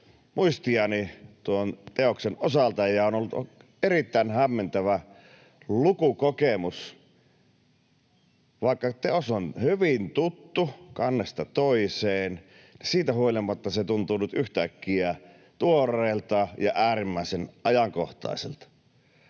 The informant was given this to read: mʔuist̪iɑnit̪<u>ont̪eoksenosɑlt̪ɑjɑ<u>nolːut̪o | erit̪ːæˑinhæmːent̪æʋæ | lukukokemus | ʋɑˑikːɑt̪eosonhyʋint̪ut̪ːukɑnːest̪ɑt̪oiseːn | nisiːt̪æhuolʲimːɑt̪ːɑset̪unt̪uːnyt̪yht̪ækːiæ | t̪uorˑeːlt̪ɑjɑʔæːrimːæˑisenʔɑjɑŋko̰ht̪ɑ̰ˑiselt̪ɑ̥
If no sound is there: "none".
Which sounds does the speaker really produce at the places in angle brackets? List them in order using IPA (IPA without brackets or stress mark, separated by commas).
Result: u, o